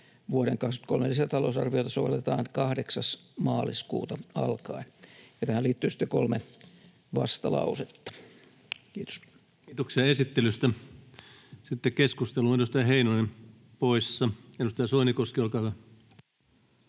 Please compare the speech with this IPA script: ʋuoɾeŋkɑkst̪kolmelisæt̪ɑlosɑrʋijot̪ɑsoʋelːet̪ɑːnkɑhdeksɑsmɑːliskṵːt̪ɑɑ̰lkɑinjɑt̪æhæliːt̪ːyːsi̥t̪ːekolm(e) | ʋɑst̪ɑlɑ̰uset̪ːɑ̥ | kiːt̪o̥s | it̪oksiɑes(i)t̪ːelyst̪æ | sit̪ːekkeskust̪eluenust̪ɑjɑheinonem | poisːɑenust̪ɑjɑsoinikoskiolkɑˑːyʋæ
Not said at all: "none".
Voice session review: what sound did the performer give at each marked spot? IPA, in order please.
e, i

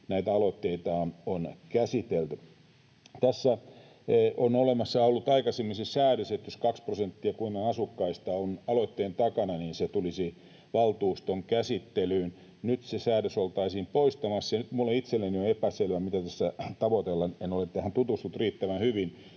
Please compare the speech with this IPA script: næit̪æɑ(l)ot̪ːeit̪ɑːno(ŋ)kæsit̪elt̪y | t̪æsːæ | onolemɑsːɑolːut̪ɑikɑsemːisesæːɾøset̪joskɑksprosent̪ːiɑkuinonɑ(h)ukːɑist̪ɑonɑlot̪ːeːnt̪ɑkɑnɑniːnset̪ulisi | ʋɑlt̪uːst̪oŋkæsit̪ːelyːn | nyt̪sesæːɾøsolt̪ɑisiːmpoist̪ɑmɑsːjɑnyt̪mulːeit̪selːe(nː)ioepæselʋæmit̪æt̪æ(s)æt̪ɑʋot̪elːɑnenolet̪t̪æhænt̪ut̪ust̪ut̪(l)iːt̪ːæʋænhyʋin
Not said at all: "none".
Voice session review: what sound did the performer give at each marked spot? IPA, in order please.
l, n, s, n, sː, r

